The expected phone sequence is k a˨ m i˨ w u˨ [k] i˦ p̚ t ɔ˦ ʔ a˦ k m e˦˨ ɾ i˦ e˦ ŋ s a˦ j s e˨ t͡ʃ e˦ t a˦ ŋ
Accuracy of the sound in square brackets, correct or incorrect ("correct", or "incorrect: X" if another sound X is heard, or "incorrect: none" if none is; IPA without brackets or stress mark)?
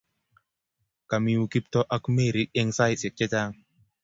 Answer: correct